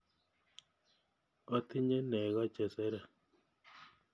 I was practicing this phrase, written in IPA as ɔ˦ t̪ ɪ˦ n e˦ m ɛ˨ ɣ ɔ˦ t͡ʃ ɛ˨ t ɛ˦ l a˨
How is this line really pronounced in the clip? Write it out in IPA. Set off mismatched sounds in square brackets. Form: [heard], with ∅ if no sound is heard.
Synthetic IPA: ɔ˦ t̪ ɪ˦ [ɲ] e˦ [n] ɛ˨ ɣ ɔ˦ t͡ʃ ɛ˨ [s] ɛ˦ [ɾ] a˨